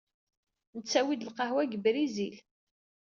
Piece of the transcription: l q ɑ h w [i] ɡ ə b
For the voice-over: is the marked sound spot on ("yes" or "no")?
no